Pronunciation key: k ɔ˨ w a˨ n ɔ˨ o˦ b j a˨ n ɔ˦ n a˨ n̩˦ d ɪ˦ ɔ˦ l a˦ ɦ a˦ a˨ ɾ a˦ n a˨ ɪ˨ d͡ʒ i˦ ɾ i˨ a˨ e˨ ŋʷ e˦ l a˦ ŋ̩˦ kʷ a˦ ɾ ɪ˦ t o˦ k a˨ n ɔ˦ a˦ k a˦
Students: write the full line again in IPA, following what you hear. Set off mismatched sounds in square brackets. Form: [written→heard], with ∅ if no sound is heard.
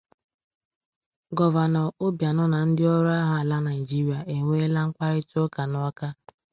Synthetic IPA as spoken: [k→ɡ] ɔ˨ [w→v] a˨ n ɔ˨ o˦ b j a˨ n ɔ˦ n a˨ n̩˦ d ɪ˦ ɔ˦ [l→ɾ] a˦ ɦ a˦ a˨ [ɾ→l] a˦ n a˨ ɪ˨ d͡ʒ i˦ ɾ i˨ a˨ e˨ ŋʷ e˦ l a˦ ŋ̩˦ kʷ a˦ ɾ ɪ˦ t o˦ k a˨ n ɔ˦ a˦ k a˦